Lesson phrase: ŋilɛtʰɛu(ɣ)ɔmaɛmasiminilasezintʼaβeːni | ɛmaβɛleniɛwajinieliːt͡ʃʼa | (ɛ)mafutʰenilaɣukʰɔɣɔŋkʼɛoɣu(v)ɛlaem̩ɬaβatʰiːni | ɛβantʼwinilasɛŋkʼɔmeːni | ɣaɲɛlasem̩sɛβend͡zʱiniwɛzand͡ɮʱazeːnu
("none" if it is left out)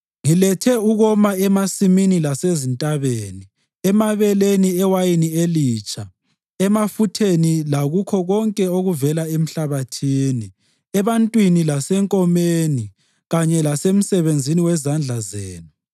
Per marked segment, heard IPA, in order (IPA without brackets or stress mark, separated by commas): ɣ, ɛ, v